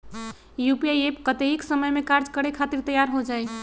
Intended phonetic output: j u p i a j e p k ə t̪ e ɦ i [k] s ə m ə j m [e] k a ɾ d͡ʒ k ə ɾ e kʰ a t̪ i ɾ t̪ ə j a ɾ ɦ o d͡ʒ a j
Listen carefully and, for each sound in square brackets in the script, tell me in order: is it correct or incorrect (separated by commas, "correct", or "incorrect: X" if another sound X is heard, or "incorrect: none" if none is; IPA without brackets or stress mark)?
correct, correct